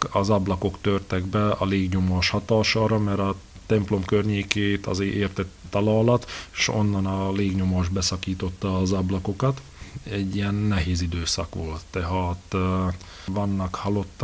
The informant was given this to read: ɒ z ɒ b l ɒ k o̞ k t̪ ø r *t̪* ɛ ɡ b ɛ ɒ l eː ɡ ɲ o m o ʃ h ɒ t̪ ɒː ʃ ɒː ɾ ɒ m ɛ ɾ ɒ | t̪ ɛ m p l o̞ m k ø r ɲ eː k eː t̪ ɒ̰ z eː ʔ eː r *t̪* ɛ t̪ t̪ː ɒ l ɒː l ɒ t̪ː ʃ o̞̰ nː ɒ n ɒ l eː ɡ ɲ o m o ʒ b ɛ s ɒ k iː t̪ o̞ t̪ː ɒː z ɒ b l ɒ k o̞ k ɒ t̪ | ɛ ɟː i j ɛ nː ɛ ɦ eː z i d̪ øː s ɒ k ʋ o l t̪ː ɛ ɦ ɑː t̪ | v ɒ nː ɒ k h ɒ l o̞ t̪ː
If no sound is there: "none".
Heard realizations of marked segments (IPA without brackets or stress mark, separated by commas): t̪, t̪